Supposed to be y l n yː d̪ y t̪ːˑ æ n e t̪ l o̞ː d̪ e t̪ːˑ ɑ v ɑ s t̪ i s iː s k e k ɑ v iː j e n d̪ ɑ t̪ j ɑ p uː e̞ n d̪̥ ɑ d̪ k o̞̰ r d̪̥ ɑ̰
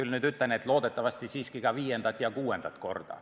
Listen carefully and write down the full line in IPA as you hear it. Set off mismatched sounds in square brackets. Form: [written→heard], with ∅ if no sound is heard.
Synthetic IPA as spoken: y l n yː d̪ y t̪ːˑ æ n e t̪ l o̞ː d̪ e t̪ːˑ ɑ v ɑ s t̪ i s iː s k [e→i] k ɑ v iː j e n d̪ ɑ t̪ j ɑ [p→k] uː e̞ n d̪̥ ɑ [d̪→t̪] k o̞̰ r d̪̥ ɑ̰